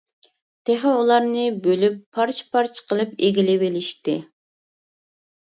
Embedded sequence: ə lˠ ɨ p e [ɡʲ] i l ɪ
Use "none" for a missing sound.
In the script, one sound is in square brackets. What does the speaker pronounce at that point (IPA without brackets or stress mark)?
ɡʲ